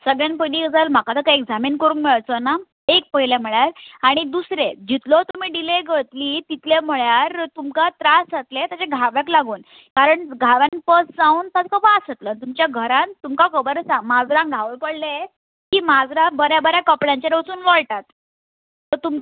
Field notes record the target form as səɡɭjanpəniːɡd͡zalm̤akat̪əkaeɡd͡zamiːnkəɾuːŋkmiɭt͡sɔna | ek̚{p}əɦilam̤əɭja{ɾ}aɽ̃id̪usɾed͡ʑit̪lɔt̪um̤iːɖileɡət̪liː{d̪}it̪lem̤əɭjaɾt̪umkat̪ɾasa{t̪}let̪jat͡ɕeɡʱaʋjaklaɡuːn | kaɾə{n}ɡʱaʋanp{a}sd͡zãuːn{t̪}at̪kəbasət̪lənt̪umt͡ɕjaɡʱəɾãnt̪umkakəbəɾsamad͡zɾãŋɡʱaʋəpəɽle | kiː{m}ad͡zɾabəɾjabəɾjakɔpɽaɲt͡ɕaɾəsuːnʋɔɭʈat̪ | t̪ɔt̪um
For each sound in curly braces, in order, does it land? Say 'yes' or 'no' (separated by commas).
yes, yes, no, yes, no, no, yes, yes